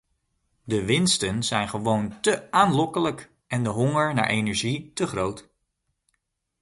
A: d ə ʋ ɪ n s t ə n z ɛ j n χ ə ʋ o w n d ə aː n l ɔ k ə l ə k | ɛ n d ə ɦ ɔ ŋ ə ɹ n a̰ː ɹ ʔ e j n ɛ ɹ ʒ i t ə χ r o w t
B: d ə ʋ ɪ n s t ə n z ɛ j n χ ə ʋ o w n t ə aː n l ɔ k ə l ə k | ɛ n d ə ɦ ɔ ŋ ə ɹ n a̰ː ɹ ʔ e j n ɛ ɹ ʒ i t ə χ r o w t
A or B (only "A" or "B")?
B